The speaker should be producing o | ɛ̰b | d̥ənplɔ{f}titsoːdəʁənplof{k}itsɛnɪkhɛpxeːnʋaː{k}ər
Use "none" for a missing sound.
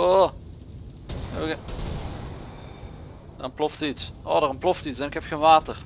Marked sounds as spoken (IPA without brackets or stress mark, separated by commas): f, t, t